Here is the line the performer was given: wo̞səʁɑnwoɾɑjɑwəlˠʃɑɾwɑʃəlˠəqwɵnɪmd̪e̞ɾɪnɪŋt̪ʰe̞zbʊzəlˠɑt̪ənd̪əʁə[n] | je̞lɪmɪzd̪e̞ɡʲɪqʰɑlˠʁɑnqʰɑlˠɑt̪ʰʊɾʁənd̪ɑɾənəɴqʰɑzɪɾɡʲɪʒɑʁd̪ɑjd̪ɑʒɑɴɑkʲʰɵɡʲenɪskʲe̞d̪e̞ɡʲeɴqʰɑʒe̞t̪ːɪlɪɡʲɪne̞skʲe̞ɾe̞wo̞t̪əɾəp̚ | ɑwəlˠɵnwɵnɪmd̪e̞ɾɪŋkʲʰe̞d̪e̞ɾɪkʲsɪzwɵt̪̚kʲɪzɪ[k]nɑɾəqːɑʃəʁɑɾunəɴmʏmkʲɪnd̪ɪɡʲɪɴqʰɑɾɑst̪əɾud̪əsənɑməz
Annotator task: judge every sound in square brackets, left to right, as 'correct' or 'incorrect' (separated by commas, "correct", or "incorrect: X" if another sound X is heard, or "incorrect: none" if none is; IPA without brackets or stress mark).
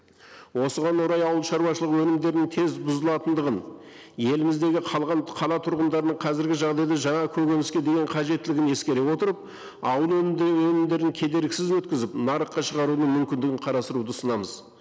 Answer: correct, incorrect: p